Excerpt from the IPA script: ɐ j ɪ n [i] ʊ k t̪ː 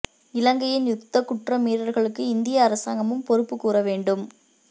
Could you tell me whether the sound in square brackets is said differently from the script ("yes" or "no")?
yes